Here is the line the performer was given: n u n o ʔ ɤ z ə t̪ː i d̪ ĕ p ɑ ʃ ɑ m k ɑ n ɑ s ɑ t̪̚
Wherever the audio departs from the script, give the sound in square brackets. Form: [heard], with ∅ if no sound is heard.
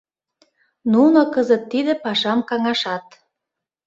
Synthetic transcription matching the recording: n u n o [k] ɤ z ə t̪ː i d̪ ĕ p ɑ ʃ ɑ m k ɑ [ŋ] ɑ [ʃ] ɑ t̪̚